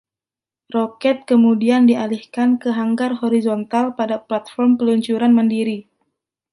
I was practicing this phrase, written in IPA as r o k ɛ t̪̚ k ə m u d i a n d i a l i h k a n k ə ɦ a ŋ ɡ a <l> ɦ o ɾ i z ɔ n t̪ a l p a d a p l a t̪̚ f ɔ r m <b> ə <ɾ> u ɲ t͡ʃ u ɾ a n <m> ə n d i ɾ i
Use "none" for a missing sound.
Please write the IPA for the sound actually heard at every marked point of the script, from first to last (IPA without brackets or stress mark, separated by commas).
r, p, l, m